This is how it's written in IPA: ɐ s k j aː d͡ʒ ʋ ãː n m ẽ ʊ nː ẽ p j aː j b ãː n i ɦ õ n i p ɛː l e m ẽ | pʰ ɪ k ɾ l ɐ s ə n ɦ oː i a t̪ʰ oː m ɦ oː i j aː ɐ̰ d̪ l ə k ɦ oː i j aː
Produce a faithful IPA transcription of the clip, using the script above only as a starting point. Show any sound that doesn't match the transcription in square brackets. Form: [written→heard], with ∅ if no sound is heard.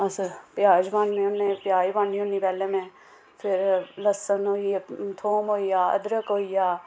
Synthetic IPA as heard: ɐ s [k→p] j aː d͡ʒ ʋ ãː n m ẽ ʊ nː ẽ p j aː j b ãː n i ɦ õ n i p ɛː l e m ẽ | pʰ ɪ [k→∅] ɾ l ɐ s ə n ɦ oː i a t̪ʰ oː m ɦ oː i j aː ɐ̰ d̪ [l→ɾ] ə k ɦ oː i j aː